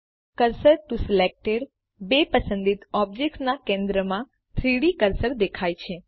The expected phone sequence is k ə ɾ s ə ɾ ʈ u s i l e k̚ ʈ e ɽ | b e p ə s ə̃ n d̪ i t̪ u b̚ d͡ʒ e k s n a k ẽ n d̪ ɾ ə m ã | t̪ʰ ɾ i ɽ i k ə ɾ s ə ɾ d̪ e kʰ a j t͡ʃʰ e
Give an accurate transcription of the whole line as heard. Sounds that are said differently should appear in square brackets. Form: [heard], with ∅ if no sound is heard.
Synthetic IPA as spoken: k ə ɾ s ə ɾ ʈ u s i l e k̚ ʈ e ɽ | b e p ə s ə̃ n d̪ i t̪ [ɔ] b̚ d͡ʒ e k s n a k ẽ n d̪ ɾ ə m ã | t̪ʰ ɾ i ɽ i k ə ɾ s ə ɾ d̪ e kʰ a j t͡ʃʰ e